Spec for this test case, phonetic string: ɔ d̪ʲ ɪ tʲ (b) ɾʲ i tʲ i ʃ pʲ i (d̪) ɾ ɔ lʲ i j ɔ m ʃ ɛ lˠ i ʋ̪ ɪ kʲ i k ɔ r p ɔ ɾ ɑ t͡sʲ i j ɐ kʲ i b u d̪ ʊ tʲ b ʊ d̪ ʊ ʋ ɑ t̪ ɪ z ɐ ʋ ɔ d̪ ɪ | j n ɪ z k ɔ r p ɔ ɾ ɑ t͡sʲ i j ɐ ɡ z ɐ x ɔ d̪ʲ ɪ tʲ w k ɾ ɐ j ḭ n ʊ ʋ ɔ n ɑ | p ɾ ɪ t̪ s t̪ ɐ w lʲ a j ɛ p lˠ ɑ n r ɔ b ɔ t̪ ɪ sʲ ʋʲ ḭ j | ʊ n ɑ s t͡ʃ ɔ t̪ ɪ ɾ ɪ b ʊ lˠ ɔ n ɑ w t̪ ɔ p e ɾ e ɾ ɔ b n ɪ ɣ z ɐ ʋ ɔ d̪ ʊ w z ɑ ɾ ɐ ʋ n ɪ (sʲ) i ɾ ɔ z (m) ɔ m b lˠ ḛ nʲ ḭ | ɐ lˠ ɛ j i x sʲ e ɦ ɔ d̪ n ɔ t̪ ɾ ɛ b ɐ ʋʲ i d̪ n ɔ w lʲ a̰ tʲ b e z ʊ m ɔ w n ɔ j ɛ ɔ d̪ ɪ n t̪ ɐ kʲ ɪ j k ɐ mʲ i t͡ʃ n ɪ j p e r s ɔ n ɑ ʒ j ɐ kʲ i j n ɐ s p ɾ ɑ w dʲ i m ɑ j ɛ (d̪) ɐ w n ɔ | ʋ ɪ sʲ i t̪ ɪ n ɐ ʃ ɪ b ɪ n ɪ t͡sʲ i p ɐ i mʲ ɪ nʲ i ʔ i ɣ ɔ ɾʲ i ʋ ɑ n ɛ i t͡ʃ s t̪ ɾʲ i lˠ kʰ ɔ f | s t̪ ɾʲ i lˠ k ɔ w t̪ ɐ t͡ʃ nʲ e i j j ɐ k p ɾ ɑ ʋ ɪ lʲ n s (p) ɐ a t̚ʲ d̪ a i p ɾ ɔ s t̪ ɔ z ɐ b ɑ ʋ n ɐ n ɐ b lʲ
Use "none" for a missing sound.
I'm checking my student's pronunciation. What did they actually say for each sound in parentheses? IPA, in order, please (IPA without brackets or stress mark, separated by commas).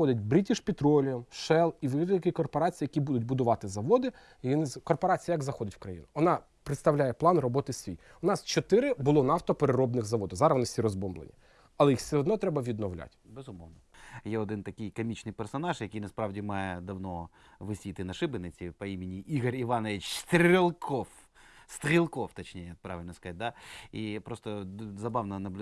b, t̪, sʲ, b, d̪, k